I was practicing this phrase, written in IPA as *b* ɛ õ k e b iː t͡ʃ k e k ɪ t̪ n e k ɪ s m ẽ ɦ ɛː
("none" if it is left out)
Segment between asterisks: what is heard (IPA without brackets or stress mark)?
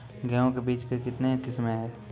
ɡ